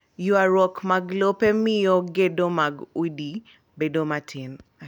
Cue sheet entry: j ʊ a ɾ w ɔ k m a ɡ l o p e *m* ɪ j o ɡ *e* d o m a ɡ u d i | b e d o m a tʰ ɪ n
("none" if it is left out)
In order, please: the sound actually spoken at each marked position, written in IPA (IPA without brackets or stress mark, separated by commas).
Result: m, e